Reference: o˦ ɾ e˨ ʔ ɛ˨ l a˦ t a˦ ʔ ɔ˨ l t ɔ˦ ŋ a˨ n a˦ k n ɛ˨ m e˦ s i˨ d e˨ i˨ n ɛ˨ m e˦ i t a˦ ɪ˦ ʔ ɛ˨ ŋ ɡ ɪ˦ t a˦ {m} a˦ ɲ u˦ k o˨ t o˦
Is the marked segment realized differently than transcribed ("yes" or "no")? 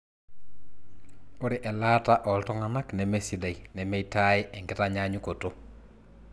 yes